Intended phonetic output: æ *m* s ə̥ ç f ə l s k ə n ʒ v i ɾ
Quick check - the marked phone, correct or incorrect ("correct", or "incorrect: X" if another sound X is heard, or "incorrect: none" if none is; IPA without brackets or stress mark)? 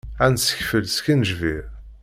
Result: incorrect: n